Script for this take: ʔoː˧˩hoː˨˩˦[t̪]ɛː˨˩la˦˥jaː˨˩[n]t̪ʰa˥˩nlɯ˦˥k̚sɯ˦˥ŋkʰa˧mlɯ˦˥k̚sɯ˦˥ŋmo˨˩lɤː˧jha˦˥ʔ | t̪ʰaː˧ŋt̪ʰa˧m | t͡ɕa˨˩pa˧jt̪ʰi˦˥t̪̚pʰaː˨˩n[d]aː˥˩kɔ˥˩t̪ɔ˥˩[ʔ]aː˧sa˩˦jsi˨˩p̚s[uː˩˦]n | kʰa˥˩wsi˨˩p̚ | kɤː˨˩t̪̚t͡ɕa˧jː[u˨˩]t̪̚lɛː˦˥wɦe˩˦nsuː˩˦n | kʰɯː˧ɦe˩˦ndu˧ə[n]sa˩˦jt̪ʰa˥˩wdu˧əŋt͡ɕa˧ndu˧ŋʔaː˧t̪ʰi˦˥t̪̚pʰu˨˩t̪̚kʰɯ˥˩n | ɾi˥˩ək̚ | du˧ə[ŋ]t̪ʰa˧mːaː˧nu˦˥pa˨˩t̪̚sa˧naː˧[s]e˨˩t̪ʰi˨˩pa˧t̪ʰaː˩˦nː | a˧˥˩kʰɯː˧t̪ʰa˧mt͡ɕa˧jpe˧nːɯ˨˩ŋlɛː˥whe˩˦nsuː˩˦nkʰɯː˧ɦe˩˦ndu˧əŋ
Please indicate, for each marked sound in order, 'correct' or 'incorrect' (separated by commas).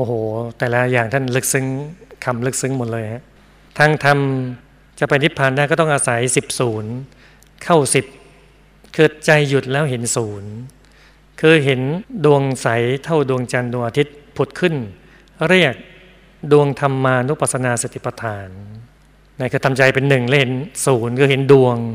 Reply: correct, incorrect, correct, correct, correct, correct, incorrect, correct, correct